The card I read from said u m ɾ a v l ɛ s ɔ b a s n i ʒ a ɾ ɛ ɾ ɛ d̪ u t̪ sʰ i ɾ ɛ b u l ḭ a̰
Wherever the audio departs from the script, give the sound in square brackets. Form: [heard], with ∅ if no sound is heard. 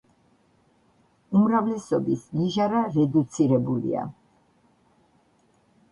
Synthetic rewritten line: u m ɾ a v l ɛ s ɔ b [i] s n i ʒ a ɾ [a] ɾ ɛ d̪ u t̪ sʰ i ɾ ɛ b u l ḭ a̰